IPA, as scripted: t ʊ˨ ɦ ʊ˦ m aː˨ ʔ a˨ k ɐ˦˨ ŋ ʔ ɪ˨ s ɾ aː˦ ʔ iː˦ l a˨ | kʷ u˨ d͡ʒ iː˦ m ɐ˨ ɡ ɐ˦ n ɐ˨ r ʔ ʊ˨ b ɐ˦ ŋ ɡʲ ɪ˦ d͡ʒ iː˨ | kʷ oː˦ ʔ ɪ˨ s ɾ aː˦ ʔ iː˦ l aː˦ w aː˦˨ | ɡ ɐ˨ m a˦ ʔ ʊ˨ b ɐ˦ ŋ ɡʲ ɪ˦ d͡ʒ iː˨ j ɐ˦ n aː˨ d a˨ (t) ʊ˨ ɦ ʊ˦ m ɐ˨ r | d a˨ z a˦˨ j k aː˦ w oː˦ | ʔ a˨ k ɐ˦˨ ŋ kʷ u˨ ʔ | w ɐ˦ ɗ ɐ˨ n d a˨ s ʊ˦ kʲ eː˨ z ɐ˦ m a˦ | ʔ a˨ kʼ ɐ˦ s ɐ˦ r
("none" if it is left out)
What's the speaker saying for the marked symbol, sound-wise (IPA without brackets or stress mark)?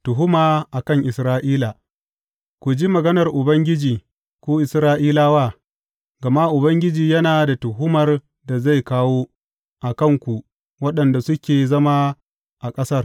t